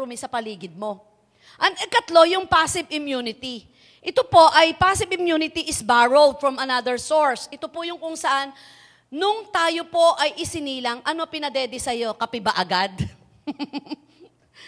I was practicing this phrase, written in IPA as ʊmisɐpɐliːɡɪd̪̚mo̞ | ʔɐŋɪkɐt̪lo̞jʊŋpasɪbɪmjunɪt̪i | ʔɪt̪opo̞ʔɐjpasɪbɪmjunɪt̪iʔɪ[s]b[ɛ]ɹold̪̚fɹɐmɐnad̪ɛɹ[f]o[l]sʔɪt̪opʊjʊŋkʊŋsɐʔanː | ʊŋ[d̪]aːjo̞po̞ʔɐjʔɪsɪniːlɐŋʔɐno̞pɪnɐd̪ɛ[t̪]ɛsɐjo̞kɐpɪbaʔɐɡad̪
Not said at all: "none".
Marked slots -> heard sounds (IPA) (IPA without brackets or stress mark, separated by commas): s, a, s, ɹ, t̪, d̪